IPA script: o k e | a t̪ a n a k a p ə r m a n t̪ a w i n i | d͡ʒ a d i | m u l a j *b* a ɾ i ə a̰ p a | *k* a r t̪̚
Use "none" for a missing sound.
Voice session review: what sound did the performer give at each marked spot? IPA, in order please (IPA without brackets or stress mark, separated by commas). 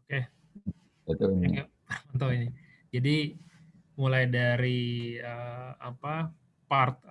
d, p